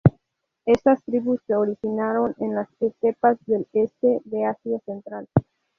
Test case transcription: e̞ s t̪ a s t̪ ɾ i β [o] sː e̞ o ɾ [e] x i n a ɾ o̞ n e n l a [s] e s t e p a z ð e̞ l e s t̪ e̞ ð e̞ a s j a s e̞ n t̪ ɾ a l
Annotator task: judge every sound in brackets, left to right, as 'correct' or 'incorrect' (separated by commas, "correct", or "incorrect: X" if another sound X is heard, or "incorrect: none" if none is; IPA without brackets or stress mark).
incorrect: u, incorrect: i, correct